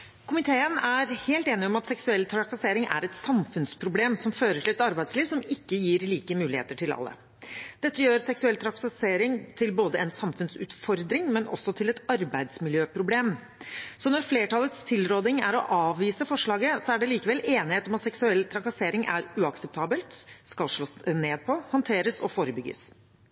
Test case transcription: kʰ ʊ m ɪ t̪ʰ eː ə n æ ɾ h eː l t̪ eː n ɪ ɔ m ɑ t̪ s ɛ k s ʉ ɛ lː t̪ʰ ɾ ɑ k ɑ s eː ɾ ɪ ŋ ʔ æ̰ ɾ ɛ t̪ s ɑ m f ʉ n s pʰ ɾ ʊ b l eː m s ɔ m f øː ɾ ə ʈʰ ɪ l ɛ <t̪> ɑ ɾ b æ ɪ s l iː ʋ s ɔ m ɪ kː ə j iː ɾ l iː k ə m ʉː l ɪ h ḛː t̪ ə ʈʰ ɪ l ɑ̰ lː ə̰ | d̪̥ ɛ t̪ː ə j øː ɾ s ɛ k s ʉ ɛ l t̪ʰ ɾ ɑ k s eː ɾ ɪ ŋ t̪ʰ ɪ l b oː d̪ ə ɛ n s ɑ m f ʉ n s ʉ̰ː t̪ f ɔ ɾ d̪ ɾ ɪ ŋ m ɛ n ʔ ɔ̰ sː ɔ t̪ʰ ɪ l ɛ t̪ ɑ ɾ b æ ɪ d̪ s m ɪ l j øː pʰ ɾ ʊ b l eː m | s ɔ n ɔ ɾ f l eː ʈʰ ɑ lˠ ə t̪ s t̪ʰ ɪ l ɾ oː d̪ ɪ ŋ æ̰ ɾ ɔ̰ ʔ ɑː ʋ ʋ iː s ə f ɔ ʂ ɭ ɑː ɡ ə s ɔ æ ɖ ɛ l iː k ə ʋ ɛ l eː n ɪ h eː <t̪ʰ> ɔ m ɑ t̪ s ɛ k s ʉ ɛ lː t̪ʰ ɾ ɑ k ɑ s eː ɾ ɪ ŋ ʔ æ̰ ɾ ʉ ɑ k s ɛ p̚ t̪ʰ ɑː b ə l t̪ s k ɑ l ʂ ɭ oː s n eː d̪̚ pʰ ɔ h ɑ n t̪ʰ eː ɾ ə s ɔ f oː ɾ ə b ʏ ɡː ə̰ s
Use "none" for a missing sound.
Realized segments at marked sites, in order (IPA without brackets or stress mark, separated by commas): t̪, t̪